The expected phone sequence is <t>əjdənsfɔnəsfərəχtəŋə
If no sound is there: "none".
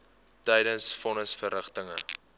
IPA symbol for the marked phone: t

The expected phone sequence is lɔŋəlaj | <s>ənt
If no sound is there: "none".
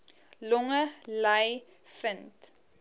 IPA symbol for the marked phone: f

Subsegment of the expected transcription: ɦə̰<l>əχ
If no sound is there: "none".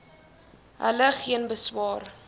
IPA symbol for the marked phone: l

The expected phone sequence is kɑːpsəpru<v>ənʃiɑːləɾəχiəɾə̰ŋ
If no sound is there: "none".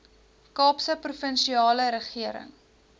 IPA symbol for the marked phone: f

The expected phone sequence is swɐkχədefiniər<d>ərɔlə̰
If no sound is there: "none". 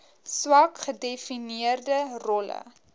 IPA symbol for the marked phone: d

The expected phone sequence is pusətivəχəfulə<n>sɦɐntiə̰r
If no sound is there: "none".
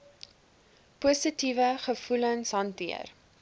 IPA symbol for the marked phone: n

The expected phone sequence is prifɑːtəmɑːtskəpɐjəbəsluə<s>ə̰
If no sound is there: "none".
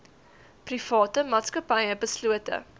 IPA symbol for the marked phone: t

